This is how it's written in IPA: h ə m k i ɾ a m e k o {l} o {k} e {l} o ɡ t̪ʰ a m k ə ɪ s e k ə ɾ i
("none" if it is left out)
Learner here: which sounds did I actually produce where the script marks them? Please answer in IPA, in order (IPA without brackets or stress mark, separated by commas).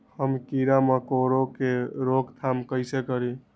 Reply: ɾ, k, ɾ